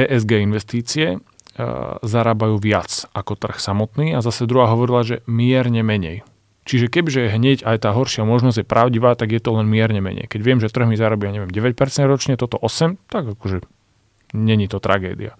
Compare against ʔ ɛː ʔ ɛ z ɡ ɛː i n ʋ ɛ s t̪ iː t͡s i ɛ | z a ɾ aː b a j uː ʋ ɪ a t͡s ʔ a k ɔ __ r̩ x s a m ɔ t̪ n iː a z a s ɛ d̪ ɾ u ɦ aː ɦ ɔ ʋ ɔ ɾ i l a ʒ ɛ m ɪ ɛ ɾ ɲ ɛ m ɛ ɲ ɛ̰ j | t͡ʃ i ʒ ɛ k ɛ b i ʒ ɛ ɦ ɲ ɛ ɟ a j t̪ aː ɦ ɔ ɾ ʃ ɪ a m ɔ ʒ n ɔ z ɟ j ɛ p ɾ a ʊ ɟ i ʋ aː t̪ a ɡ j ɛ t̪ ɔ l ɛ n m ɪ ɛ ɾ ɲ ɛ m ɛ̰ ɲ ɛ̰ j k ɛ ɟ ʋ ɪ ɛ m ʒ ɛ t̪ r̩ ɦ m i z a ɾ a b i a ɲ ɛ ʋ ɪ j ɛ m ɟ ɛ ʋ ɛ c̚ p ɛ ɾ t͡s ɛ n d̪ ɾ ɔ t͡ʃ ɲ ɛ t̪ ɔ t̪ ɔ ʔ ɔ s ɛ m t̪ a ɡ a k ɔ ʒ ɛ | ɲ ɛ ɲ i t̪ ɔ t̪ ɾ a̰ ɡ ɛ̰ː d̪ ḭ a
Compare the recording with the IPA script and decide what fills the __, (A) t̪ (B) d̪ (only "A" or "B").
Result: A